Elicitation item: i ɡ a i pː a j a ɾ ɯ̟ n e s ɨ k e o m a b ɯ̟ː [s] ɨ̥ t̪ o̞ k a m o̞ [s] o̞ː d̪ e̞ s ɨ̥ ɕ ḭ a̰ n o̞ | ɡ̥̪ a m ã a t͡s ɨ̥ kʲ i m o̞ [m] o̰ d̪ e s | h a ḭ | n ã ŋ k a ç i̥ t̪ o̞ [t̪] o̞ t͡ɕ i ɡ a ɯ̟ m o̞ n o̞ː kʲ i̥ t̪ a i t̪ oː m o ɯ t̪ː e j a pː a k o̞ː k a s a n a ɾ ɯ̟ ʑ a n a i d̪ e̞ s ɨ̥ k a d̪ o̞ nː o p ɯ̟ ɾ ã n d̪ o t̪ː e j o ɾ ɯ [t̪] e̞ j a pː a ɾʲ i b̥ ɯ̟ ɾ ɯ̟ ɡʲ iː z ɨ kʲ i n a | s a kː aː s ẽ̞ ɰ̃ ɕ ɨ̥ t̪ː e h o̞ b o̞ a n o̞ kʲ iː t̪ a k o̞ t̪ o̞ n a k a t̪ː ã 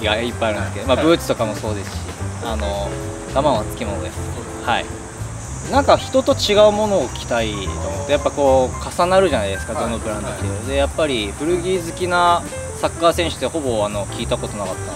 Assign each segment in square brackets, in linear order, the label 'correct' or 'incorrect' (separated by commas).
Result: incorrect, correct, incorrect, correct, incorrect